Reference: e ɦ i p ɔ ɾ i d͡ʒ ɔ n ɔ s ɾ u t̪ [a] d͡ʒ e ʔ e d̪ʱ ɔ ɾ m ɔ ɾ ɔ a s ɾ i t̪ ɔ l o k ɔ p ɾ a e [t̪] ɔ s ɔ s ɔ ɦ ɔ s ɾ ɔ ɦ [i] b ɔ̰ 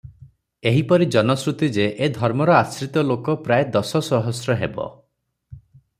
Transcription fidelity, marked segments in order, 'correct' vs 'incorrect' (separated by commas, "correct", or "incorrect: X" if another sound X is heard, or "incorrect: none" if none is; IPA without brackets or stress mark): incorrect: i, incorrect: d̪, incorrect: e